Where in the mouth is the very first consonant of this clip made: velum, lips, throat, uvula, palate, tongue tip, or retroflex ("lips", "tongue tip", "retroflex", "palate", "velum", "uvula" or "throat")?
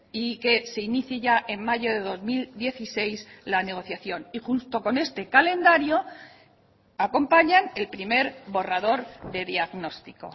velum